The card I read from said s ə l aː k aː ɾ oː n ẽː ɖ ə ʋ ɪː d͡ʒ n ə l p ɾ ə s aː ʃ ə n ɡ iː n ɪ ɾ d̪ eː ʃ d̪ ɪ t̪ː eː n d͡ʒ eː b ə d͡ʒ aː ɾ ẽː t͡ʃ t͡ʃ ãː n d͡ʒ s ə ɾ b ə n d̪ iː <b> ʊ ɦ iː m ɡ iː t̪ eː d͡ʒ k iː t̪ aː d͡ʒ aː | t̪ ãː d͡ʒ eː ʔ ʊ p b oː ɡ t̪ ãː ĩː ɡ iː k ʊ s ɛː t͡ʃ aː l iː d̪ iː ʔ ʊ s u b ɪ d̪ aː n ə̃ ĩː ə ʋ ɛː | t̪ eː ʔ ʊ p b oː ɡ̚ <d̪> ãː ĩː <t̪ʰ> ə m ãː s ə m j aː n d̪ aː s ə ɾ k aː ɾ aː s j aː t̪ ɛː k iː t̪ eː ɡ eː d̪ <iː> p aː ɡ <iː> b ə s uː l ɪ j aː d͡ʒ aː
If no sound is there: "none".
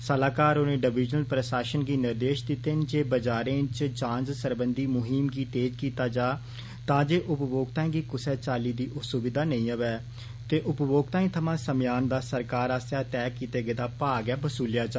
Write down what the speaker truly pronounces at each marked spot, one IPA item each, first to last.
m, t̪, t̪ʰ, aː, ɛː

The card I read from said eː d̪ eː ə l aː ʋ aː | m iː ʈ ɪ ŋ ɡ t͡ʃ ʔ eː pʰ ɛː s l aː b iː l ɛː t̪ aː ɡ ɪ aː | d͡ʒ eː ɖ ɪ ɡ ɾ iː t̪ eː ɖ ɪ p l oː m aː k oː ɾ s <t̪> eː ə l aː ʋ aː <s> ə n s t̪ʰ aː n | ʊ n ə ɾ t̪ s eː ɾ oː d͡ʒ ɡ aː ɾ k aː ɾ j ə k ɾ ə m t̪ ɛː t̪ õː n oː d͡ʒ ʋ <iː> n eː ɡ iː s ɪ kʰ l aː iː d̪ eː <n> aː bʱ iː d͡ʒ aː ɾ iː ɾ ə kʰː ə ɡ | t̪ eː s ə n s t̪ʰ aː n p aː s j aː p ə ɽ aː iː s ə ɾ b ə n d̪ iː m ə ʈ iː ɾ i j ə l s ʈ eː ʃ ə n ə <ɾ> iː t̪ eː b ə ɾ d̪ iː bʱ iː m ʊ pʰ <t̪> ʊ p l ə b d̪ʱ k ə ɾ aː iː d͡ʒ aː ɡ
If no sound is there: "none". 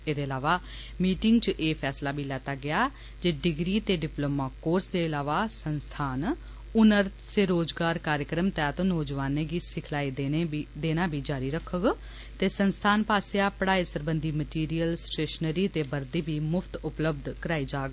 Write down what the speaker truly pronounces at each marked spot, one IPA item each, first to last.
d̪, s, aː, n, ɾ, t̪

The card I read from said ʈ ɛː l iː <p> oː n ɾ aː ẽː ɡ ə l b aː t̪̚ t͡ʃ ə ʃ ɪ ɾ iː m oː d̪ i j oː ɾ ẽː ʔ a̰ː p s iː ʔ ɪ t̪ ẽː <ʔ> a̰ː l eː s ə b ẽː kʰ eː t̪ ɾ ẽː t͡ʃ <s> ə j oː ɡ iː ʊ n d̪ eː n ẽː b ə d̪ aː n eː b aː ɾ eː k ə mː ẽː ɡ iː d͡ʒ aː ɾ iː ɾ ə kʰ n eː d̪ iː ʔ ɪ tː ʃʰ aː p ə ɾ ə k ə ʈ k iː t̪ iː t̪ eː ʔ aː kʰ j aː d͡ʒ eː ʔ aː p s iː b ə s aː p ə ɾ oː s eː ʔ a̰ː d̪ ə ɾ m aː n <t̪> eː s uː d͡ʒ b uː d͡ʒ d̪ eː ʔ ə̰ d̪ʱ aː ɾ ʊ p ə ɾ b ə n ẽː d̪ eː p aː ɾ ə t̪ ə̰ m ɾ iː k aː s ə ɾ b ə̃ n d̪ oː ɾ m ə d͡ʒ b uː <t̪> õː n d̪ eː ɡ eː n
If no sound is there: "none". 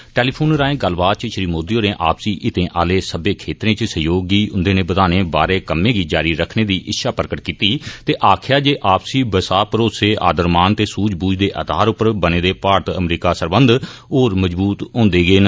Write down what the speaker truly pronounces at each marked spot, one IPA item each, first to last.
pʰ, ʔ, s, t̪, t̪

